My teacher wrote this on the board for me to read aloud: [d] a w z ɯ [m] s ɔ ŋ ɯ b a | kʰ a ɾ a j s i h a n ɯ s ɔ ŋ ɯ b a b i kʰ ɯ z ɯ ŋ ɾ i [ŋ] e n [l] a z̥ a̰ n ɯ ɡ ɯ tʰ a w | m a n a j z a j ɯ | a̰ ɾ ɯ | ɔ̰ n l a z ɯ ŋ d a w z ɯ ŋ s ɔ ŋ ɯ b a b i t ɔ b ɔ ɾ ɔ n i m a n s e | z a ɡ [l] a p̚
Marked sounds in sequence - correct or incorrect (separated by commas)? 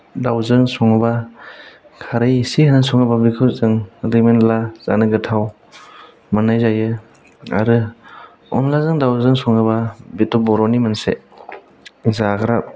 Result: correct, incorrect, incorrect, correct, incorrect